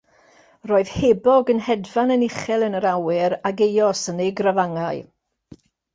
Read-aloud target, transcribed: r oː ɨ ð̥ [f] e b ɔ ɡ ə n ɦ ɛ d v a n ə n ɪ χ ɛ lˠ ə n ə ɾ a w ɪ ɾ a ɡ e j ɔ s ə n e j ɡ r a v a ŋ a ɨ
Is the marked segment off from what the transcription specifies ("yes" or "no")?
yes